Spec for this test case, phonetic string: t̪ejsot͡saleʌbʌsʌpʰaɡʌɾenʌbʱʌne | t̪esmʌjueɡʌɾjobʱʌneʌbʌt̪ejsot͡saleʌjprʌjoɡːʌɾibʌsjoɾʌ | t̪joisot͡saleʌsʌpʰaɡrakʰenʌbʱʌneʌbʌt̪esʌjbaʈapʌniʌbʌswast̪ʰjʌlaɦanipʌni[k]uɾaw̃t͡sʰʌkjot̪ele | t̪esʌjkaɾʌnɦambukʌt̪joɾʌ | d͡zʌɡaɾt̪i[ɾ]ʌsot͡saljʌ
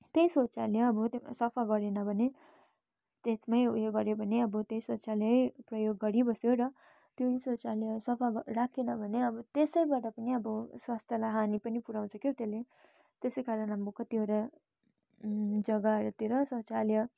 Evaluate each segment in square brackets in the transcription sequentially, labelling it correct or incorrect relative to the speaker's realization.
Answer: incorrect: p, correct

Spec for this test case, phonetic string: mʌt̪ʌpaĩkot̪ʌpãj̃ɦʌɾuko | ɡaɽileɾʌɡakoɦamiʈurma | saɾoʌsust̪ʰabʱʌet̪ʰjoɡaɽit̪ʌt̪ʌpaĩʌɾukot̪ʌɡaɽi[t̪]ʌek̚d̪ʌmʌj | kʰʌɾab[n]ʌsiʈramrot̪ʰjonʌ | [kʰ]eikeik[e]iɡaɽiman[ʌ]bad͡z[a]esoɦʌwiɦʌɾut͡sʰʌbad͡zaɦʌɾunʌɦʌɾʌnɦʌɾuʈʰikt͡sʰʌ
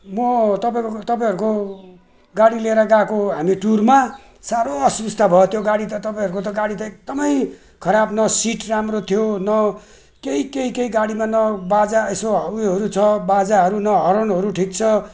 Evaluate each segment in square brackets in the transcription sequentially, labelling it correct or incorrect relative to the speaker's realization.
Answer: correct, correct, incorrect: k, correct, correct, correct

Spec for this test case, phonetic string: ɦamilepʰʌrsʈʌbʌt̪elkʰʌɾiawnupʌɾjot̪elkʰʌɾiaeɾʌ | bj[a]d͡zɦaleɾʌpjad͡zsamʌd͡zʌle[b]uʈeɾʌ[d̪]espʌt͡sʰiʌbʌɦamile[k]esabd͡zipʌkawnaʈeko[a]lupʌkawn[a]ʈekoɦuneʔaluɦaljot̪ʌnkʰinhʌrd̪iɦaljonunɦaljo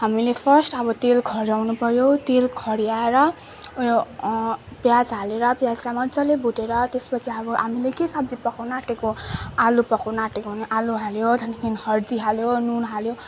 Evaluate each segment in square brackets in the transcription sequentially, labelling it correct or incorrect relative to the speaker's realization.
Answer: correct, correct, incorrect: t̪, correct, correct, correct

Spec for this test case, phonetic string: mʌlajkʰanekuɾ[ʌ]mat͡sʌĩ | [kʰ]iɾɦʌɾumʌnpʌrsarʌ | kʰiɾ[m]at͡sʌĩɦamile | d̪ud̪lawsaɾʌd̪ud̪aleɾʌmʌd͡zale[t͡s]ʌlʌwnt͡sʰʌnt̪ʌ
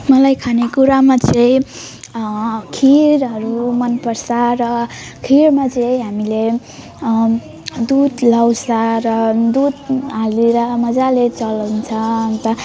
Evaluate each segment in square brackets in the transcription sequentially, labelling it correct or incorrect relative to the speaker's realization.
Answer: incorrect: a, correct, correct, correct

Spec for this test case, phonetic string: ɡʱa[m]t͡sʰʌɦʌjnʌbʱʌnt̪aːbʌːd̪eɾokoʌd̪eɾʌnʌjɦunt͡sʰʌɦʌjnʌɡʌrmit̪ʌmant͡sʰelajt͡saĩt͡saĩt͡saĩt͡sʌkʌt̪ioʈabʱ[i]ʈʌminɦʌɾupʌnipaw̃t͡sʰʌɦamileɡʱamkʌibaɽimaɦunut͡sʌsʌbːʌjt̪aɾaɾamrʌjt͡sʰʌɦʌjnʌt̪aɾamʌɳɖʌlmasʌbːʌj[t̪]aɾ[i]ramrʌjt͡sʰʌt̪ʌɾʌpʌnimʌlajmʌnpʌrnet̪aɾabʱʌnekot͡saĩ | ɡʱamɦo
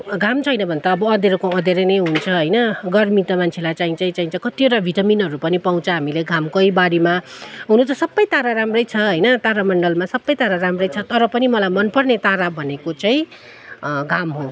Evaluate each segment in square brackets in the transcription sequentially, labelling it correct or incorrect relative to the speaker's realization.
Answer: correct, correct, correct, incorrect: a

